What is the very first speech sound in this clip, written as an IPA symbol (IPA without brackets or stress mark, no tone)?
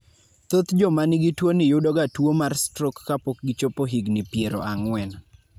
t̪